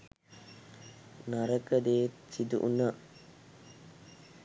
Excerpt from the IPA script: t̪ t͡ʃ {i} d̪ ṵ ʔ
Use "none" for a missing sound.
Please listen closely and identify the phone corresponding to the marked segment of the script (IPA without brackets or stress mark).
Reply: i